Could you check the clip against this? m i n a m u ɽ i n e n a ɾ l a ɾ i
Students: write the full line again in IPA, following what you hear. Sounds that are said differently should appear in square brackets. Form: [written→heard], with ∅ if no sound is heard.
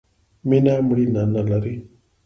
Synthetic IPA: m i n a m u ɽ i n [e→a] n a [ɾ→∅] l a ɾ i